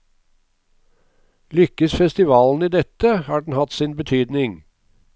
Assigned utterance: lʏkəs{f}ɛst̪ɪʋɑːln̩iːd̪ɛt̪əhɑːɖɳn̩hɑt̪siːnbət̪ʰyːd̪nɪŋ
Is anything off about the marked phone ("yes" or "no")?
no